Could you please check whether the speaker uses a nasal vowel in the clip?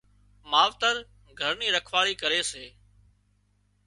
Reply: no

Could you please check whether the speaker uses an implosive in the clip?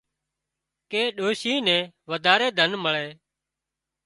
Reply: yes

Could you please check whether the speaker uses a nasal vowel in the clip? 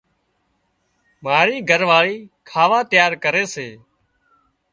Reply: no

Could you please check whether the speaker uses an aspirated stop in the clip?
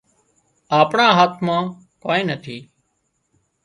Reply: yes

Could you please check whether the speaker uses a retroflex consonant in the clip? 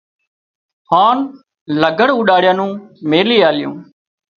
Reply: yes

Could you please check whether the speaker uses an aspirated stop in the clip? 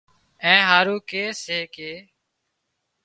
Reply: no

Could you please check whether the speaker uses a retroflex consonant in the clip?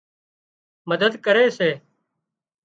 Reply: no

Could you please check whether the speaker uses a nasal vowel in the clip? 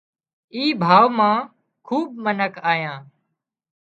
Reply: yes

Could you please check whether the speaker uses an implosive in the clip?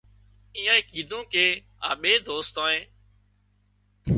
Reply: yes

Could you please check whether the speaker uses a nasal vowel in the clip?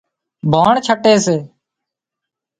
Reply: no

